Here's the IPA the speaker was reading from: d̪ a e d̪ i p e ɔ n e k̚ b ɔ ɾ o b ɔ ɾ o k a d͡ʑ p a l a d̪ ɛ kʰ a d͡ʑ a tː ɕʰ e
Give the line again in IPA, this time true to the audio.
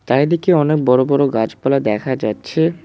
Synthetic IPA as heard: t̪ a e d̪ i k e ɔ n e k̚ b ɔ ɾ o b ɔ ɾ o ɡ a d͡ʑ p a l a d̪ ɛ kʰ a d͡ʑ a tː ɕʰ e